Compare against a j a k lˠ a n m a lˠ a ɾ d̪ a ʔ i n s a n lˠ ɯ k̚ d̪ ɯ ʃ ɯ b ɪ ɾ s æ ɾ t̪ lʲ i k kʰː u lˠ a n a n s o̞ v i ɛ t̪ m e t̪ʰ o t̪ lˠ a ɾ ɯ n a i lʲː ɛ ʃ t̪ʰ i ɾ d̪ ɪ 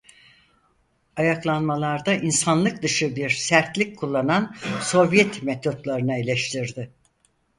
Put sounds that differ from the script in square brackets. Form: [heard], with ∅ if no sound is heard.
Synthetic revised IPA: a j a k lˠ a n m a lˠ a ɾ d̪ a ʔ i n s a n lˠ ɯ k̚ d̪ ɯ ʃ ɯ b [i] ɾ s æ ɾ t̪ lʲ i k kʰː u [lˠː] a n a n s o̞ v [j] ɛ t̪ m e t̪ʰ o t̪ lˠ a ɾ ɯ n a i [lʲ] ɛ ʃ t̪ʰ i ɾ d̪ ɪ